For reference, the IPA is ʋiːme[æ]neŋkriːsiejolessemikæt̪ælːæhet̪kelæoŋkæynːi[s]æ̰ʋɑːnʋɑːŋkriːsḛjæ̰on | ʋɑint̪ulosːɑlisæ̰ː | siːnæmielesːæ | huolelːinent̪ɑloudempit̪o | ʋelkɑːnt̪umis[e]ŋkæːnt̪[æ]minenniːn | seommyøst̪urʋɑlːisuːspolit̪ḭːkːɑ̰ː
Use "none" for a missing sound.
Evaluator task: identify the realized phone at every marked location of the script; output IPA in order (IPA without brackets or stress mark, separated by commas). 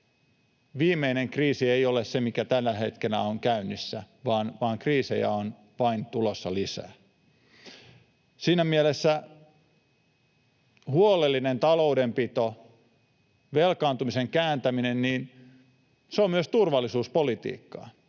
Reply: i, sː, e, æ